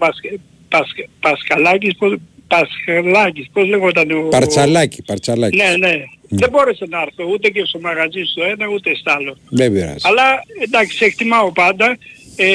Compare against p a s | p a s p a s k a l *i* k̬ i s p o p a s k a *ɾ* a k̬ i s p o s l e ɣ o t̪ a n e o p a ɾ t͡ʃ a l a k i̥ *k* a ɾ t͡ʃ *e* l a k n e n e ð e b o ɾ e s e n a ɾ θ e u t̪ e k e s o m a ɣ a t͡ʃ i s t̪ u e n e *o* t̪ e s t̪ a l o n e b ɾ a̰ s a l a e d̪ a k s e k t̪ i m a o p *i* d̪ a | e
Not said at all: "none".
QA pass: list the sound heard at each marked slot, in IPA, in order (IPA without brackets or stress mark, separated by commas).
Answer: a, l, p, a, u, a